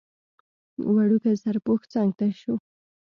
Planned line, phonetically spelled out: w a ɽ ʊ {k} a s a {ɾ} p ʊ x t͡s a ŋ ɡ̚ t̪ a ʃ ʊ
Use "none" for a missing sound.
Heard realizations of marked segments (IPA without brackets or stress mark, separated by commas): k, ɾ